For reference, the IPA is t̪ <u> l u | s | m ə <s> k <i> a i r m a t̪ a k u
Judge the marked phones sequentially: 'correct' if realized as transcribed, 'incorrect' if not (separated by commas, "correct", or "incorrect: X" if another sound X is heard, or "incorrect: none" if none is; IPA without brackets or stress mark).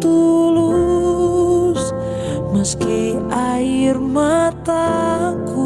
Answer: correct, correct, correct